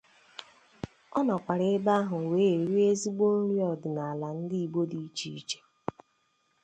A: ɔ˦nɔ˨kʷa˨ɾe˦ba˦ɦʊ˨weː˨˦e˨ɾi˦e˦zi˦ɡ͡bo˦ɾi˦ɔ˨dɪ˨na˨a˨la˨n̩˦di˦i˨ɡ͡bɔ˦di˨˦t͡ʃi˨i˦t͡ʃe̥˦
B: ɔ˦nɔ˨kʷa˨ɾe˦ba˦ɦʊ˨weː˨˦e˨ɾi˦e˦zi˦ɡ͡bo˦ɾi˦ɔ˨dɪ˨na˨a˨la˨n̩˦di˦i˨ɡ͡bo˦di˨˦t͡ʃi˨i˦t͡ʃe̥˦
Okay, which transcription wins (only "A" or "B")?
B